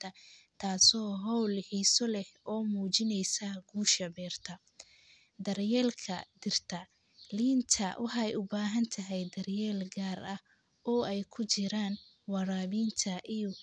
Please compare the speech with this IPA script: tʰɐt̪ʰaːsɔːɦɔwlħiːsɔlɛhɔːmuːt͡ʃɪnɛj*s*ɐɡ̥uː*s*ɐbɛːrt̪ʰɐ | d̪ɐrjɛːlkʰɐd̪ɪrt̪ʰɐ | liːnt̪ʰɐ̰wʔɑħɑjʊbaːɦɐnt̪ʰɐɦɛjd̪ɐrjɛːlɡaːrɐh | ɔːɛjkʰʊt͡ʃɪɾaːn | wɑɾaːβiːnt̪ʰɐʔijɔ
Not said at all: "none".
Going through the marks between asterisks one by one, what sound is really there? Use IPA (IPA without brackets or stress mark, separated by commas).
s, ʃ